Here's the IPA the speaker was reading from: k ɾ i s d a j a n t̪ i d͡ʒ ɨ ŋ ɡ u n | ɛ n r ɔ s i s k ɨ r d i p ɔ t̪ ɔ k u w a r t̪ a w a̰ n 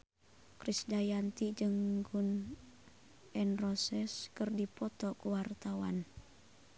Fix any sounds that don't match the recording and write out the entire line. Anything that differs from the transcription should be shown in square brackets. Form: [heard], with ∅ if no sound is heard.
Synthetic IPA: k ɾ i s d a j a n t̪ i d͡ʒ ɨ ŋ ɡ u n | ɛ n r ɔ s [ɛ] s k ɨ r d i p ɔ t̪ ɔ k u w a r t̪ a w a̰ n